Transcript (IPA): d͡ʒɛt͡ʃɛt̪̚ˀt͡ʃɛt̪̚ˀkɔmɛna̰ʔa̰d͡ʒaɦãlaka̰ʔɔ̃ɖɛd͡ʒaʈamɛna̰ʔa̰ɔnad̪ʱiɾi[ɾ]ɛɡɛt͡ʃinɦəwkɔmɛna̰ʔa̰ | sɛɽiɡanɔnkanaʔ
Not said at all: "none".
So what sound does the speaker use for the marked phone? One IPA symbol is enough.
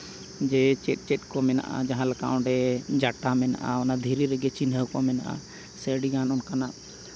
ɾ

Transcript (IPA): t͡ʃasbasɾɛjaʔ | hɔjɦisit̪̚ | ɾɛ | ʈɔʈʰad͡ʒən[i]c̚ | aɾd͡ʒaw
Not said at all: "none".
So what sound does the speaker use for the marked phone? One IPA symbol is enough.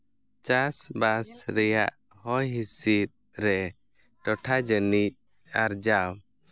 i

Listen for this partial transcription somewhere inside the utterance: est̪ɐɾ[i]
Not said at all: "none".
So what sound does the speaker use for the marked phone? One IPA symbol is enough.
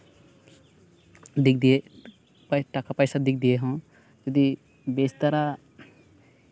a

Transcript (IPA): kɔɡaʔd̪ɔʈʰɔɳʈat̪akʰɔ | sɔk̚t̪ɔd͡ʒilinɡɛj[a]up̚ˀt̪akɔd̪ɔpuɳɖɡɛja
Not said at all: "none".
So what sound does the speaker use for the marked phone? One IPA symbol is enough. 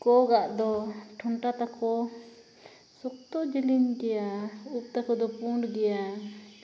a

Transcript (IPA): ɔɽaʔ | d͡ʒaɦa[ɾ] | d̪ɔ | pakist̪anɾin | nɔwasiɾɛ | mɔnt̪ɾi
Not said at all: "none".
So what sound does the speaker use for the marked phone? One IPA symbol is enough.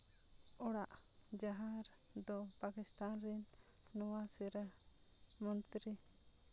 ɾ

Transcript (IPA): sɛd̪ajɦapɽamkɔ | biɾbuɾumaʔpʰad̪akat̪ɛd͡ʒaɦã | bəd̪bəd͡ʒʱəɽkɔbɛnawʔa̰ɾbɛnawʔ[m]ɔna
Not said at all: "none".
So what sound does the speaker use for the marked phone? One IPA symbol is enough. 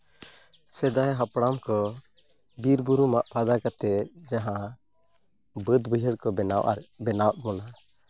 m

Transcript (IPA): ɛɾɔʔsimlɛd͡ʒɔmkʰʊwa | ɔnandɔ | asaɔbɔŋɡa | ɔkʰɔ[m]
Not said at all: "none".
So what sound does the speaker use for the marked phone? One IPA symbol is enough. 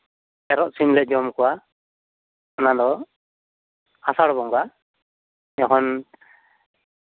n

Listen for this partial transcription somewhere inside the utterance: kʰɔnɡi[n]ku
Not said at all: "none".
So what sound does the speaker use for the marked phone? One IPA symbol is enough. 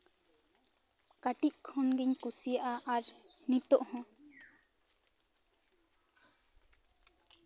ɲ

